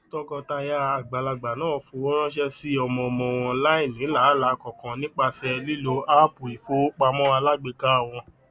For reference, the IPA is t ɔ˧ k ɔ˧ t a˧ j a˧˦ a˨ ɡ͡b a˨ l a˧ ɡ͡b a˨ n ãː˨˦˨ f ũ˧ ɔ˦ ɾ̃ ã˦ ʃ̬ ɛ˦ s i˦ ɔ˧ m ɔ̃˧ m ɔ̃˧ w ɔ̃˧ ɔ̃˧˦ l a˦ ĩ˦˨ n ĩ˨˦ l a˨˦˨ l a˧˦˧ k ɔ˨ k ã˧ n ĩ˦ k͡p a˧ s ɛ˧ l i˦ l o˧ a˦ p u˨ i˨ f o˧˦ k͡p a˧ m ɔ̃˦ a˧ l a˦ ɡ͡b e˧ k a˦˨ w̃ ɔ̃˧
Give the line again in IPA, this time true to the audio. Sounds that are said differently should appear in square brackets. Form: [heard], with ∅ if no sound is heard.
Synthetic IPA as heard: t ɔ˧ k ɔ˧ t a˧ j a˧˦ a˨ ɡ͡b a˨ l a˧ ɡ͡b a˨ n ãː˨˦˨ f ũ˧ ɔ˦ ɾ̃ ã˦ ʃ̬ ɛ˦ s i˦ ɔ˧ m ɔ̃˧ m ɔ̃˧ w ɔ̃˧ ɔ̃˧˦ l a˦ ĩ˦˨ n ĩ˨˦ l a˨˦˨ l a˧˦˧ k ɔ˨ k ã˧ n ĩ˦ k͡p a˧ s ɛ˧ l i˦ l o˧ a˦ p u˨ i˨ f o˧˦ k͡p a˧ m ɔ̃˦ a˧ l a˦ ɡ͡b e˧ k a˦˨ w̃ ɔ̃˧